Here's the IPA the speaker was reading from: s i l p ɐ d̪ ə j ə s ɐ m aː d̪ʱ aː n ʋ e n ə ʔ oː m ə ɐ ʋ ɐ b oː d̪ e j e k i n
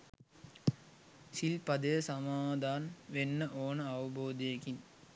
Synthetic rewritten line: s i l p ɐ d̪ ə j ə s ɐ m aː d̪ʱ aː n ʋ e nː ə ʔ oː n ə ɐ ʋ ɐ b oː d̪ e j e k i n